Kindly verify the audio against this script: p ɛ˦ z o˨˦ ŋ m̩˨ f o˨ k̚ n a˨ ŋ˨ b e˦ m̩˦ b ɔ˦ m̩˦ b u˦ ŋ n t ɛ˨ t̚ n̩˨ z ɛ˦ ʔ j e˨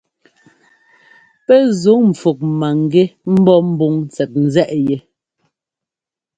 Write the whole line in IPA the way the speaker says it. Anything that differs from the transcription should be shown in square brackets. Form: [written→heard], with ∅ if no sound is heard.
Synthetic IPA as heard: p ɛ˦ z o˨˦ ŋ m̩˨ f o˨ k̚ [n→m] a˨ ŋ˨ [b→ɡ] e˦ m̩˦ b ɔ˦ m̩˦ b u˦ ŋ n [t→t͡s] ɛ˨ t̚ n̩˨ z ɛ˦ ʔ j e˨